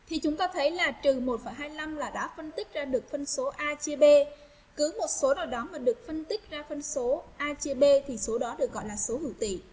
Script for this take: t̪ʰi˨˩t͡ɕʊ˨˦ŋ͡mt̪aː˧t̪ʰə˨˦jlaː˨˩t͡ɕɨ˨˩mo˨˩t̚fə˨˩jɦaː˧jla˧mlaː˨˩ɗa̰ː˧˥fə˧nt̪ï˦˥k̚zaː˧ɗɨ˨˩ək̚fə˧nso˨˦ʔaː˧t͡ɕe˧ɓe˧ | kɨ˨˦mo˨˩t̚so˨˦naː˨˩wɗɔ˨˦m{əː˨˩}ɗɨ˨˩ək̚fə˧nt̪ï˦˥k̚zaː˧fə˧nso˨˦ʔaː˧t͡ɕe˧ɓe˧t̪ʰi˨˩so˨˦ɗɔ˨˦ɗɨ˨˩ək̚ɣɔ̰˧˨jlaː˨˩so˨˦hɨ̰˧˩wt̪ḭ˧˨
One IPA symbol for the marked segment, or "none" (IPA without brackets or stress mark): aː˨˩